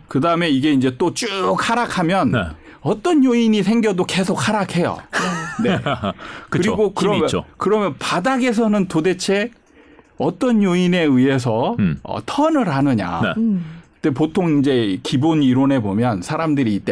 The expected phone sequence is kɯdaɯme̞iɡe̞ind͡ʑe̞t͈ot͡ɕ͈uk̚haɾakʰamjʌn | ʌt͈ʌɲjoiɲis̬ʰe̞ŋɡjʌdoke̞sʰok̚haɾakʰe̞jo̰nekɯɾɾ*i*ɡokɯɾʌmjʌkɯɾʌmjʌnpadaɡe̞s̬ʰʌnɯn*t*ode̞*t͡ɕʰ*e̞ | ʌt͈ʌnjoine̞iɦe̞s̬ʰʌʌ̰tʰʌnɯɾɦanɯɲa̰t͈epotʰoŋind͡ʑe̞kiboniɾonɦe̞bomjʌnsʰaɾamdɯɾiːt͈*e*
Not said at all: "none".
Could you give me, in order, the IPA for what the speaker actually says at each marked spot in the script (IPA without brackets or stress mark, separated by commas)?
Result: i, t, t͡ɕʰ, e